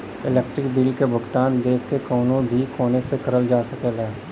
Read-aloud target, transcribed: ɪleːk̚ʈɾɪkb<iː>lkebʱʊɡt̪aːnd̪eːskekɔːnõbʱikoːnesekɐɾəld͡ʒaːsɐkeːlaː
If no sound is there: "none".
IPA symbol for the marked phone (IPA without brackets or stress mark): iː